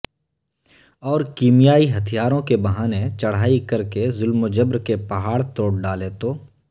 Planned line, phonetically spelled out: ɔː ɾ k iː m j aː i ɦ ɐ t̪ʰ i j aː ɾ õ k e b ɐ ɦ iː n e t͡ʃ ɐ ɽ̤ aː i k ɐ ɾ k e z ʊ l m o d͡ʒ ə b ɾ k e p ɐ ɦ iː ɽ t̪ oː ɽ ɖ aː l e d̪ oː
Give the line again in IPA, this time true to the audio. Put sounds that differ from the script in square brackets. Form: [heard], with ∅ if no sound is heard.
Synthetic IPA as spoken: ɔː ɾ k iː m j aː i ɦ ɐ t̪ʰ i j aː ɾ õ k e b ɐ ɦ [aː] n e t͡ʃ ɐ ɽ̤ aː i k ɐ ɾ k e z ʊ l m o d͡ʒ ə b ɾ k e p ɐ ɦ [aː] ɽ t̪ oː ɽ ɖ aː l e [t̪] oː